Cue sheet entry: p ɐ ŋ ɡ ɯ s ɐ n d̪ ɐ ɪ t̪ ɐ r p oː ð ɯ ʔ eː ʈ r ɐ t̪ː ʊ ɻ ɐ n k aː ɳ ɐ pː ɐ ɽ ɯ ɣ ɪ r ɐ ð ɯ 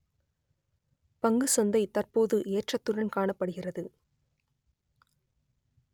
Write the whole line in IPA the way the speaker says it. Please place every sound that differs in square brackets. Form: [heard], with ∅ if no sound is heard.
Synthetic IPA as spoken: p ɐ ŋ ɡ ɯ s ɐ n d̪ ɐ ɪ t̪ ɐ r p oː ð ɯ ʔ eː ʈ r ɐ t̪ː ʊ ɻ ɐ n k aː ɳ ɐ pː ɐ ɽ ɯ ɣ ɪ r ɐ ð ɯ